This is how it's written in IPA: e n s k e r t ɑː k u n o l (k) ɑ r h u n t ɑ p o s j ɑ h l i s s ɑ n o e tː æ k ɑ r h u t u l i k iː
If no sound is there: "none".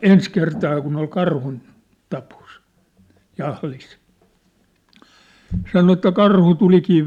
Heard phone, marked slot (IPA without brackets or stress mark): k